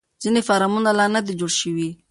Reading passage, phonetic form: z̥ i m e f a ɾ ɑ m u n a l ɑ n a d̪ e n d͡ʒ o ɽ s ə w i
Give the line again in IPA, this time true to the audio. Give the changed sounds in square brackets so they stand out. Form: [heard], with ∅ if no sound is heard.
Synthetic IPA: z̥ i [n] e f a ɾ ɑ m u n a l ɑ n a d̪ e [∅] d͡ʒ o ɽ [ʃ] ə w i